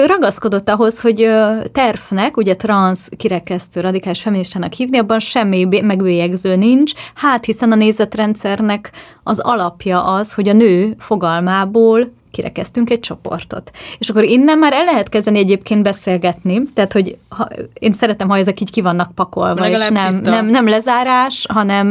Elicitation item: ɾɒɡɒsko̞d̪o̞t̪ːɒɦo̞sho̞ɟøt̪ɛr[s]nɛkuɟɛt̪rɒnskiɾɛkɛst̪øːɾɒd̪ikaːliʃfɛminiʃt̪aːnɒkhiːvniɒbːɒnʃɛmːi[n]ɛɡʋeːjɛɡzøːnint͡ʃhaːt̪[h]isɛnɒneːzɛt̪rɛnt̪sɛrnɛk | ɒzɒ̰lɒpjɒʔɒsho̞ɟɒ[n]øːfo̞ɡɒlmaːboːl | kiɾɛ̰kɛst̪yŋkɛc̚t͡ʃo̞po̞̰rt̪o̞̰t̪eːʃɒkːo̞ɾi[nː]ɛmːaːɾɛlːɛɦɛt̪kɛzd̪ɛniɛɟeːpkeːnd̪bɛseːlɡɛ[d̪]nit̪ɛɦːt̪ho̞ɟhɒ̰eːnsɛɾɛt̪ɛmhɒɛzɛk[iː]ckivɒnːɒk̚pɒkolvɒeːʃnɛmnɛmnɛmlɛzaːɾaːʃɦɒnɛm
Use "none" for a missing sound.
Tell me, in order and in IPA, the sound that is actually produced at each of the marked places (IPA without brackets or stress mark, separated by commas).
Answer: f, m, h, n, nː, t̪, iː